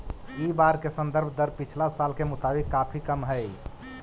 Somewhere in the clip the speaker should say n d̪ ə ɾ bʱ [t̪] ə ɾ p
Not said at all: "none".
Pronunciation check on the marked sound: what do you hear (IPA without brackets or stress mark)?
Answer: d̪